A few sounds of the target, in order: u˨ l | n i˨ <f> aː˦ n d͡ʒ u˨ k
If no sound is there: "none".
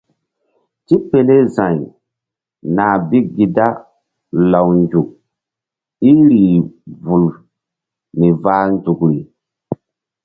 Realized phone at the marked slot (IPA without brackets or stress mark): v